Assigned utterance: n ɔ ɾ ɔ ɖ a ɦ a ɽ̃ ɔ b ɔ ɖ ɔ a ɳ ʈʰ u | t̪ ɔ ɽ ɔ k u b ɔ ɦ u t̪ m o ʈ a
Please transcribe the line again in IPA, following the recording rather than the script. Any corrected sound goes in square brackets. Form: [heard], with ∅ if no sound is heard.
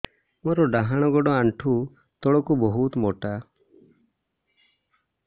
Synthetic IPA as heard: [m] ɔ ɾ ɔ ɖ a ɦ a ɽ̃ ɔ [ɡ] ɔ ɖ ɔ a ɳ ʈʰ u | t̪ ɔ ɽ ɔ k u b ɔ ɦ u t̪ m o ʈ a

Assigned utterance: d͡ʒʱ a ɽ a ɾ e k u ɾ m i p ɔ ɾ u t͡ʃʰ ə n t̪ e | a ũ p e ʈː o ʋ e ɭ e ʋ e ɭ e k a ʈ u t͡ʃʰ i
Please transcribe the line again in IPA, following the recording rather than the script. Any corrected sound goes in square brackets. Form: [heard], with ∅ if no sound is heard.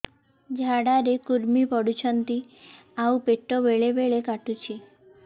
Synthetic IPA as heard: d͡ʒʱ a ɽ a ɾ e k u ɾ m i p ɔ [ɽ] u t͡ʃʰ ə n t̪ [i] | a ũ p e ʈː o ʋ e ɭ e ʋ e ɭ e k a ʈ u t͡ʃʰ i

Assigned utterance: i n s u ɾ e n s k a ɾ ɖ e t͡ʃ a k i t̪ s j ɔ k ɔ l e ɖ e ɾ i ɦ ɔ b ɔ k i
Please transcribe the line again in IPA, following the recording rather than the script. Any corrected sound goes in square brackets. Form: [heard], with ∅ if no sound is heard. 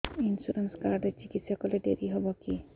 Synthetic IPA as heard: i n s u ɾ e n s k a ɾ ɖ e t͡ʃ [i] k i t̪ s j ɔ k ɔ l e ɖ e ɾ i ɦ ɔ b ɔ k i

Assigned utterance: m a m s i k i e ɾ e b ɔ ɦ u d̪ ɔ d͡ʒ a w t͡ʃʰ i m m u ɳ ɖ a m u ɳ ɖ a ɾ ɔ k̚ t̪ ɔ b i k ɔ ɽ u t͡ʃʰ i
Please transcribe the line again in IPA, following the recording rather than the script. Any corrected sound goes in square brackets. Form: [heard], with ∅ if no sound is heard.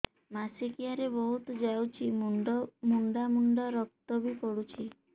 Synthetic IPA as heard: m a [∅] s i k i [a] ɾ e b ɔ ɦ u [t̪] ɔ d͡ʒ a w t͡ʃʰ i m m u ɳ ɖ a m u ɳ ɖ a ɾ ɔ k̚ t̪ ɔ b i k ɔ ɽ u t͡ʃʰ i

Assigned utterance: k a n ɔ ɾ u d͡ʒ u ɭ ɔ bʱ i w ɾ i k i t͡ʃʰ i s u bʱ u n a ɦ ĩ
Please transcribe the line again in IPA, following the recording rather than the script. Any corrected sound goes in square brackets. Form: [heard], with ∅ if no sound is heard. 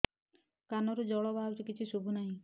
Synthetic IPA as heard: k a n ɔ ɾ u d͡ʒ [ɔ] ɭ ɔ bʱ [a] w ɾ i k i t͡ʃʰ i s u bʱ u n a ɦ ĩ

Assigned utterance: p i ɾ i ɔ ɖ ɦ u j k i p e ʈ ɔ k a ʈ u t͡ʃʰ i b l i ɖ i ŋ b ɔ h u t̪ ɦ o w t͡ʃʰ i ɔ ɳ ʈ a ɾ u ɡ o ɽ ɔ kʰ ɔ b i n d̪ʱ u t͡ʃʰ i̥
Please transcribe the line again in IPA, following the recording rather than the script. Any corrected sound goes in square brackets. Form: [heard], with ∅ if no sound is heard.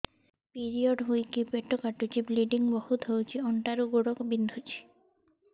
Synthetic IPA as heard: p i ɾ i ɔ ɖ ɦ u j k i p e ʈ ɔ k a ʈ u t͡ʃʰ i b l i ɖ i ŋ b ɔ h u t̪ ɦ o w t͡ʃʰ i ɔ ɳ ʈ a ɾ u ɡ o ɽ ɔ [k] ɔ b i n d̪ʱ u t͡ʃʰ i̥

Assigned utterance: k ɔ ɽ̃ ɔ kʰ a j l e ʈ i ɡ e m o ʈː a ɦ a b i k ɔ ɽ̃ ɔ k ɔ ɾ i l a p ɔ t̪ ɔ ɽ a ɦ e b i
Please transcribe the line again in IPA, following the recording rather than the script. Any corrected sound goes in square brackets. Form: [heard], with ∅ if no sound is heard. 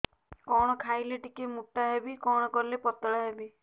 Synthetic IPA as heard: k ɔ ɽ̃ ɔ kʰ a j l e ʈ i [k] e m [u] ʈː a ɦ [e] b i k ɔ ɽ̃ ɔ k ɔ ɾ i l [e] p ɔ t̪ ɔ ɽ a ɦ e b i

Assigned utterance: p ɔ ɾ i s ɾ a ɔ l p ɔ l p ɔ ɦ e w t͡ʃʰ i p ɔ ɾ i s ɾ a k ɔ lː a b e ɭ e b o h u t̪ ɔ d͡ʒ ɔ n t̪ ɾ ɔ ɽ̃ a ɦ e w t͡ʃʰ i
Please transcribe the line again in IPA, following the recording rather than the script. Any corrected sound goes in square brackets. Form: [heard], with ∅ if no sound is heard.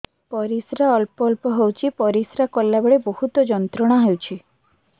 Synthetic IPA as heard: p ɔ ɾ i s ɾ a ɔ l p ɔ l p ɔ ɦ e w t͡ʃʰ i p ɔ ɾ i s ɾ a k ɔ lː a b e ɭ e b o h u t̪ ɔ d͡ʒ ɔ n t̪ ɾ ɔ ɽ̃ a ɦ e w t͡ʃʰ i

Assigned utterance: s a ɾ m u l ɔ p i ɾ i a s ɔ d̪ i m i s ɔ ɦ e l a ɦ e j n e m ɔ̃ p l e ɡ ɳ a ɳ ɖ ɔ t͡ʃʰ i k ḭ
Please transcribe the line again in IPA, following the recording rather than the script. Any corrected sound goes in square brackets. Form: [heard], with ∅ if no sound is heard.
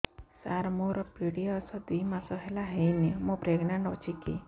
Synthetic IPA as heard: s a ɾ m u [ɾ] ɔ p i [ɽ] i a s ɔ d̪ i m [a] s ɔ ɦ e l a ɦ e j n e m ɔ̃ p [ɾ] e ɡ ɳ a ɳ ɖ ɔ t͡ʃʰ i k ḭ

